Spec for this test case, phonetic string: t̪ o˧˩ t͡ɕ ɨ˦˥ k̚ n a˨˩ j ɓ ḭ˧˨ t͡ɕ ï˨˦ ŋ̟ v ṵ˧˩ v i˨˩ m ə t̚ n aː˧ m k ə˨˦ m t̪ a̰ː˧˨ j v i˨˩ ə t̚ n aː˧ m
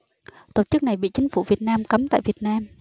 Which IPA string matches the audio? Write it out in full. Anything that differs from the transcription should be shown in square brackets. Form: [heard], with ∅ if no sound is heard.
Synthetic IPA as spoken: t̪ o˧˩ t͡ɕ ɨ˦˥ k̚ n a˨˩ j ɓ ḭ˧˨ t͡ɕ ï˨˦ ŋ̟ [f] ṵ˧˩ v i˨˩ [∅] ə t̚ n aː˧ m k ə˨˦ m t̪ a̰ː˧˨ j v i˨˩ ə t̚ n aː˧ m